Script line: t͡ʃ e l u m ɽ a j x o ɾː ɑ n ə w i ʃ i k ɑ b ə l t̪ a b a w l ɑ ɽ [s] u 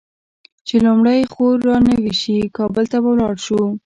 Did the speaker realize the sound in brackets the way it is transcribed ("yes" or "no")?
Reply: no